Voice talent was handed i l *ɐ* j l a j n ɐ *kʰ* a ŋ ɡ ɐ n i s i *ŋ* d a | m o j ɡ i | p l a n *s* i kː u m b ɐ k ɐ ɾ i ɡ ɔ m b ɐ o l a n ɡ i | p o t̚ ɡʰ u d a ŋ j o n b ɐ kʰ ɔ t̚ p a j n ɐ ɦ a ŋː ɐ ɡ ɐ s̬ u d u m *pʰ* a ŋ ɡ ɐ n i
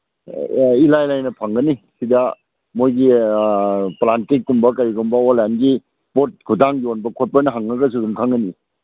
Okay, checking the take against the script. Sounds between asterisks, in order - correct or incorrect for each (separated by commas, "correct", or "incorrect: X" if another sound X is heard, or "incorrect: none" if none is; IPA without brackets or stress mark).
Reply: incorrect: a, incorrect: pʰ, incorrect: none, incorrect: t, incorrect: kʰ